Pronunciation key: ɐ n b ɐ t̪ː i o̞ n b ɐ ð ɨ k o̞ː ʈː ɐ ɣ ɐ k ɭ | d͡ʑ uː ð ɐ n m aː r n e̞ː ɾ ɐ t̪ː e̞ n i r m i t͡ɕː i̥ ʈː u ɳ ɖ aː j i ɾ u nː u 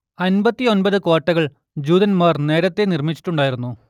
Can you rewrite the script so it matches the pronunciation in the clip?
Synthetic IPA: ɐ n b ɐ t̪ː i o̞ n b ɐ ð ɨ k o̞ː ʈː ɐ ɣ ɐ ɭ | d͡ʑ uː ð ɐ n m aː r n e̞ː ɾ ɐ t̪ː e̞ n i r m i t͡ɕː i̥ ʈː u ɳ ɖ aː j i ɾ u nː u